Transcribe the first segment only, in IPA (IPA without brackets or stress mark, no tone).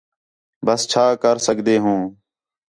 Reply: b